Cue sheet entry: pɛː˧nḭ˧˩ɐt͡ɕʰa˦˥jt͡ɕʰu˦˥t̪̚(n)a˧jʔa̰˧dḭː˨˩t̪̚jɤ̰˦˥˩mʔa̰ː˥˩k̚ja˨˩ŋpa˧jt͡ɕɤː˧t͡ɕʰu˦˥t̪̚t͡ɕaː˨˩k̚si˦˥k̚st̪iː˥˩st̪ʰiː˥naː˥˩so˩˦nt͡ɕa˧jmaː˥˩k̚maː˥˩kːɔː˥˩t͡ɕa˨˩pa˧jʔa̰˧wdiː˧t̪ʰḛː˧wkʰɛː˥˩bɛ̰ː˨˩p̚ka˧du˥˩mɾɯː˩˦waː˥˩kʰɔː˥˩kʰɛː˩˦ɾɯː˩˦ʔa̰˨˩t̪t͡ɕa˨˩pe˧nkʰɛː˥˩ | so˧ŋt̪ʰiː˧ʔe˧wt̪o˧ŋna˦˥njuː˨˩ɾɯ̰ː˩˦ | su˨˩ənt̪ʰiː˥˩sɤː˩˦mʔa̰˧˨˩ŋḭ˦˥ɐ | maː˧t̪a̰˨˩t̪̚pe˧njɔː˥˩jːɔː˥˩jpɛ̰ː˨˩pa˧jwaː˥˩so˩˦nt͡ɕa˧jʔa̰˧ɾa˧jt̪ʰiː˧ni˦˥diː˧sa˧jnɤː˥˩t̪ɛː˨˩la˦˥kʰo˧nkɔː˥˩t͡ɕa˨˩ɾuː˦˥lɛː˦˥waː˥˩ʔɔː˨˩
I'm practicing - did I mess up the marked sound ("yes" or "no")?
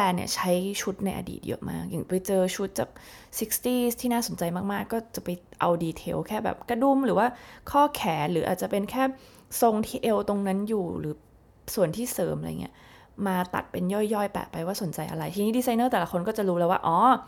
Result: no